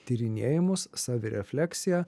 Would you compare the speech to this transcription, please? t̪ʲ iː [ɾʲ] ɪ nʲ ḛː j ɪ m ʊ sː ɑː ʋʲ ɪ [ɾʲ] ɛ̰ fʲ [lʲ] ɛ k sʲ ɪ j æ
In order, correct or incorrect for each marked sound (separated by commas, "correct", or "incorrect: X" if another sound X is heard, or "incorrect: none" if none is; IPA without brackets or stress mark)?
correct, correct, correct